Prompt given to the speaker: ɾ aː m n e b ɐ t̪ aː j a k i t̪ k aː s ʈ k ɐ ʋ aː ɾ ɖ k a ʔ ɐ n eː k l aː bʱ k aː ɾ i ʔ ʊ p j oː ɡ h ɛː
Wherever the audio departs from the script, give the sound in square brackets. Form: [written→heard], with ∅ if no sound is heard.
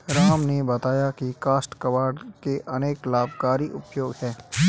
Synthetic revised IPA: ɾ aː m n e b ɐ t̪ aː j a k i [t̪→∅] k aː s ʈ k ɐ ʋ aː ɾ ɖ k [a→e] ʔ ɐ n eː k l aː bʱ k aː ɾ i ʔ ʊ p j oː ɡ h ɛː